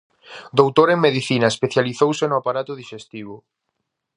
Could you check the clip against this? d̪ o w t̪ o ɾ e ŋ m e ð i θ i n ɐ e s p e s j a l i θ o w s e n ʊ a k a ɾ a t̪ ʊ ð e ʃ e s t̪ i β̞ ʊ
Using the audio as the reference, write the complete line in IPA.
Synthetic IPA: d̪ o w t̪ o ɾ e ŋ m e ð i θ i n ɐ e s p e θ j a l i θ o w s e n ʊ a p a ɾ a t̪ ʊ ð i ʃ e s t̪ i β̞ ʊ